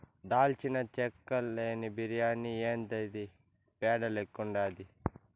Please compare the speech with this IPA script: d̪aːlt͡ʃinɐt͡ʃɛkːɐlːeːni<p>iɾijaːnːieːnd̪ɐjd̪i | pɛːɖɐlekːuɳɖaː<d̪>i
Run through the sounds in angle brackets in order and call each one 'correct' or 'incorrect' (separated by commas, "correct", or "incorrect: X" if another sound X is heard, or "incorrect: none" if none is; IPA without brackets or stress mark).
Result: incorrect: b, correct